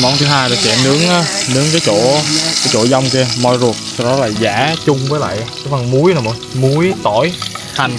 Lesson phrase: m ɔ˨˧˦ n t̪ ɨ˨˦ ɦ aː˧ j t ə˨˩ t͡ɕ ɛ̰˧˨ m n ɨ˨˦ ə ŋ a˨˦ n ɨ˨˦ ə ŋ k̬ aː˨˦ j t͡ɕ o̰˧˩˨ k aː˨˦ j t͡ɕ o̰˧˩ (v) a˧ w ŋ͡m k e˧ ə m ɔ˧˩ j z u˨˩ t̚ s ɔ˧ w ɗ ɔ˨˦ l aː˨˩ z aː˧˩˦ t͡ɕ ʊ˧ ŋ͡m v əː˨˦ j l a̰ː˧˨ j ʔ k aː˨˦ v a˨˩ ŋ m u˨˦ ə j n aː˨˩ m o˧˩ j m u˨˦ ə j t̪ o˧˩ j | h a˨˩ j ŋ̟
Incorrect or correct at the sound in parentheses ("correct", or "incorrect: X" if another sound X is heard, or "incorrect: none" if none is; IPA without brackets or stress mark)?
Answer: incorrect: z